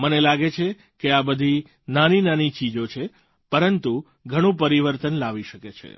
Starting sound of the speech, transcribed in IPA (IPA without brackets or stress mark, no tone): m